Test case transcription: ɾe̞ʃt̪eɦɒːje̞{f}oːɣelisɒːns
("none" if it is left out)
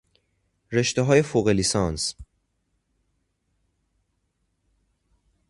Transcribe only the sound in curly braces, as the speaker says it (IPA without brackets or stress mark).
f